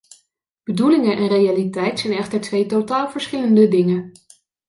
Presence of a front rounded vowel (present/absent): absent